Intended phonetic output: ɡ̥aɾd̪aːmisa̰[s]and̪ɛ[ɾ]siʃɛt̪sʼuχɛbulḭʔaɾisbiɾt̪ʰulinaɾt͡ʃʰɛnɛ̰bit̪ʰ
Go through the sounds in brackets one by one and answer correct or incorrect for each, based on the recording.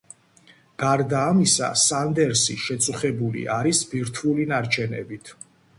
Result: correct, correct

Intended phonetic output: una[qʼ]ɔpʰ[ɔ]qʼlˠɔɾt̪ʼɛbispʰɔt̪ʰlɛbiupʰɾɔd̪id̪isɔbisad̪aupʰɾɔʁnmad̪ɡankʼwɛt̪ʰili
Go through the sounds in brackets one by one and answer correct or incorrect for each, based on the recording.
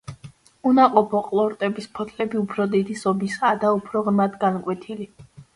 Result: correct, correct

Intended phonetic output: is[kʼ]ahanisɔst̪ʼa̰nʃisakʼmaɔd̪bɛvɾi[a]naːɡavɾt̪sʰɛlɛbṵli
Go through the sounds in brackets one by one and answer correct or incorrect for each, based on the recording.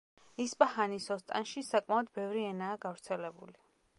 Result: incorrect: pʼ, incorrect: ɛ

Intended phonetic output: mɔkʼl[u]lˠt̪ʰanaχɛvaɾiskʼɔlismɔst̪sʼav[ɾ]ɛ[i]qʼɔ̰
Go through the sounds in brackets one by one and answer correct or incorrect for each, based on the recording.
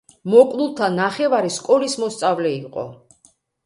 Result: correct, incorrect: l, correct

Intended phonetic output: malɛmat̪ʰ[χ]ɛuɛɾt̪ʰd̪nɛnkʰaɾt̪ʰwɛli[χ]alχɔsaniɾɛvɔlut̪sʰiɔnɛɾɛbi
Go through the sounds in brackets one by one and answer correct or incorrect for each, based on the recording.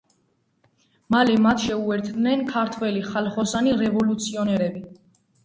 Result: incorrect: ʃ, correct

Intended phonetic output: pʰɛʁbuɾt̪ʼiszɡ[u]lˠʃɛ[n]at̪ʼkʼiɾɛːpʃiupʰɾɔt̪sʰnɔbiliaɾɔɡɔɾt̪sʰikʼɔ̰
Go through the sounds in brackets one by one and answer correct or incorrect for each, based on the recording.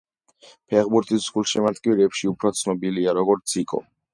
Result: correct, incorrect: m

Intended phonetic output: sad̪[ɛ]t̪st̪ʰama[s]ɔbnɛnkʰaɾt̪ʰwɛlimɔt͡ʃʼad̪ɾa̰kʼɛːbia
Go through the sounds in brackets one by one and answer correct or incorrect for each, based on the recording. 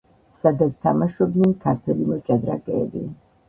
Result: incorrect: a, incorrect: ʃ

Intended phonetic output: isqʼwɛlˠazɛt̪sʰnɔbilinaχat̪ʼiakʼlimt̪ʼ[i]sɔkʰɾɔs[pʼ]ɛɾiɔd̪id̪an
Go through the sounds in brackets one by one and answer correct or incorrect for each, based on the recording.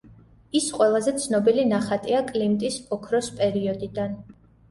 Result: correct, correct

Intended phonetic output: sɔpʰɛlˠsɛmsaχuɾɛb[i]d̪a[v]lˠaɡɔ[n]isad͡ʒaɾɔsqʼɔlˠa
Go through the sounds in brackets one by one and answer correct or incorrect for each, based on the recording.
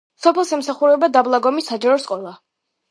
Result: incorrect: a, incorrect: b, incorrect: m

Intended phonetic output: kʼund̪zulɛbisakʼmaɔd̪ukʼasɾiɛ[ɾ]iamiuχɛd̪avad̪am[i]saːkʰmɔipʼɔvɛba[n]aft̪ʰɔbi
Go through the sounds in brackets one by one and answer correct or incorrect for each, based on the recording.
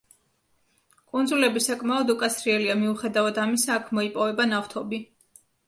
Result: incorrect: l, correct, correct

